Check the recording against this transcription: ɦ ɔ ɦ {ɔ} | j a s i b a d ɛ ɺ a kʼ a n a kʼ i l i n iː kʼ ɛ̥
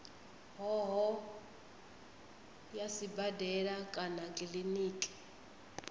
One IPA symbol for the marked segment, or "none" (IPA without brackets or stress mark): ɔ